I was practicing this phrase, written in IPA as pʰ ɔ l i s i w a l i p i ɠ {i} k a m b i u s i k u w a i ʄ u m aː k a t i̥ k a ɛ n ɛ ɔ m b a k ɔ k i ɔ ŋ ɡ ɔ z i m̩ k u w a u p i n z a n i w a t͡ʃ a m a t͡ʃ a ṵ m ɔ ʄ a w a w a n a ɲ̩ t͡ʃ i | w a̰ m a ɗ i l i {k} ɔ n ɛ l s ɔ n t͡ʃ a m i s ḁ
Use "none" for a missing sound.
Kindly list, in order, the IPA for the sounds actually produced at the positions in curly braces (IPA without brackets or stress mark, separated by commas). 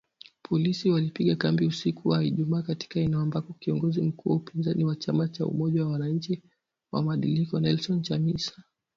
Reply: a, k